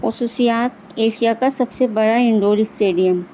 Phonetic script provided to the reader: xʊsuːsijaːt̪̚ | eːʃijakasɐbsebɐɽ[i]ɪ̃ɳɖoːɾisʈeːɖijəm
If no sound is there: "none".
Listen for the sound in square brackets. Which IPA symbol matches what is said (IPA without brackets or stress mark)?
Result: a